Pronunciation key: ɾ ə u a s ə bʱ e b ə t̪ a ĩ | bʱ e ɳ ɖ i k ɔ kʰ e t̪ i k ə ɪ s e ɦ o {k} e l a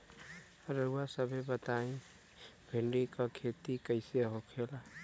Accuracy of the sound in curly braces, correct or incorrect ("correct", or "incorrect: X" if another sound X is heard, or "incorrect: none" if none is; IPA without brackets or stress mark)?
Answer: incorrect: kʰ